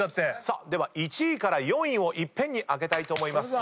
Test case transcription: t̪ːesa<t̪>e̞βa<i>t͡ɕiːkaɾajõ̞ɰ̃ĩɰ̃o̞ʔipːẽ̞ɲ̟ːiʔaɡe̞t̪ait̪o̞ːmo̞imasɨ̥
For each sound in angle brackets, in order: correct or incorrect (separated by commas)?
incorrect, correct